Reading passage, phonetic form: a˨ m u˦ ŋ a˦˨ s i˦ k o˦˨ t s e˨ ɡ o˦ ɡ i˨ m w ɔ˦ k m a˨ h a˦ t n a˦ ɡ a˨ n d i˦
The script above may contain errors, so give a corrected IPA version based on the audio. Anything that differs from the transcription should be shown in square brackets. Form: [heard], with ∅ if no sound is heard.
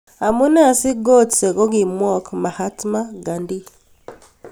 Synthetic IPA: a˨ m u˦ [n] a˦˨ s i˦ [ɡ] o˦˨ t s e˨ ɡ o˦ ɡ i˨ m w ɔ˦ k m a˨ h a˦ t [m] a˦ ɡ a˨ n d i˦